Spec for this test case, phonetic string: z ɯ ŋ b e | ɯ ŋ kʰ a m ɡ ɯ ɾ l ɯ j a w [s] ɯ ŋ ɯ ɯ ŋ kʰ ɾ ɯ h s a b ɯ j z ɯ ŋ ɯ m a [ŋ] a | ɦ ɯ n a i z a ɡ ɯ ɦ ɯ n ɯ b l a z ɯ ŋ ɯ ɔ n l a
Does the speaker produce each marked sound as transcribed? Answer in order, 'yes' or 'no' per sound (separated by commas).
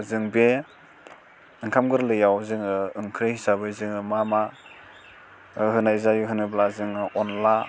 no, no